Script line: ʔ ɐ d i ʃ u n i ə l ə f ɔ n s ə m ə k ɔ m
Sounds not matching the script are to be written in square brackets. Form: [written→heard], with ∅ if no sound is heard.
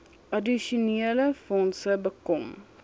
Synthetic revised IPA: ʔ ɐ d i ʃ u n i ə l ə f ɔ n s ə [m→b] ə k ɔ m